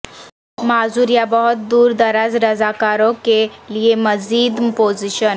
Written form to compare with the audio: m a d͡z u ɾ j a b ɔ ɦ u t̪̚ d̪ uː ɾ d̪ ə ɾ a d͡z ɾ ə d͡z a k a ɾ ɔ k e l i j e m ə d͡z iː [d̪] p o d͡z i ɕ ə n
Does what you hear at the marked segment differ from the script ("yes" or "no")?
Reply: no